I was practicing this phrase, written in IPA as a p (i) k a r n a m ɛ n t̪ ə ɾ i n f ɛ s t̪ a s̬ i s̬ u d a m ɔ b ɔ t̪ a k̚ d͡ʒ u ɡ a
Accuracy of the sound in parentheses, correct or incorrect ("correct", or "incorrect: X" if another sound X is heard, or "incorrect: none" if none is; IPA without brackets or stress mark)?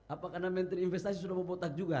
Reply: incorrect: a